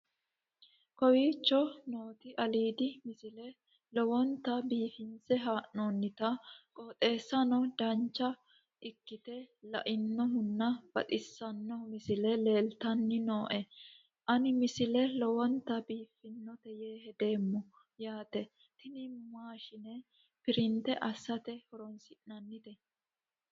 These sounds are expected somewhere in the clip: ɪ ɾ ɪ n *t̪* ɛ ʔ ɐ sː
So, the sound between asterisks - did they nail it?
yes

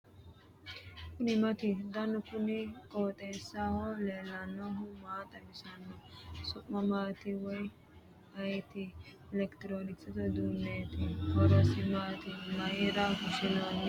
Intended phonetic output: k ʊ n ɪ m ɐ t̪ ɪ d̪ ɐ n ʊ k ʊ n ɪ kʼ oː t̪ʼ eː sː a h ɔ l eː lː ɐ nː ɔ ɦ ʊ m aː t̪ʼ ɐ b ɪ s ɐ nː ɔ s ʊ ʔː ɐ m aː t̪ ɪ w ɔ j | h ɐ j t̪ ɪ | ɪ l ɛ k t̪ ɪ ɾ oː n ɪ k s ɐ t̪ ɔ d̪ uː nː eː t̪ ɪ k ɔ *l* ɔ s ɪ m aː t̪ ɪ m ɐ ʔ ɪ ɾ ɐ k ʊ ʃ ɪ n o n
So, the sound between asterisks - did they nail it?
no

